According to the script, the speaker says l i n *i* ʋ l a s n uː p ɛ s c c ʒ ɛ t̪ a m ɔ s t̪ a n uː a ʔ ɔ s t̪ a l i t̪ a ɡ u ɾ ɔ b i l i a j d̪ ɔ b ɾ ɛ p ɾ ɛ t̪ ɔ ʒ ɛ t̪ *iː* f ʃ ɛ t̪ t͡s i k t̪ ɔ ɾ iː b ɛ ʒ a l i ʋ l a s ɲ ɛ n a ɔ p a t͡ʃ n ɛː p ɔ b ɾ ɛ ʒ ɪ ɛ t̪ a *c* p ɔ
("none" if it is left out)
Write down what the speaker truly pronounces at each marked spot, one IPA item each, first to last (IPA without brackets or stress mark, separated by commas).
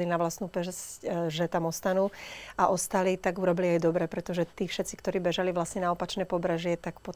a, iː, k